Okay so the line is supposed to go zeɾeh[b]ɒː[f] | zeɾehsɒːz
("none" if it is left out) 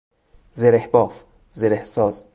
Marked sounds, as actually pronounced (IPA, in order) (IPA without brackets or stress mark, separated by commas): b, f